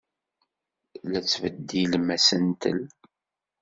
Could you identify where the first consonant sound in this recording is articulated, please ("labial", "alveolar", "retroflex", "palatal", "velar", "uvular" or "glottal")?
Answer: alveolar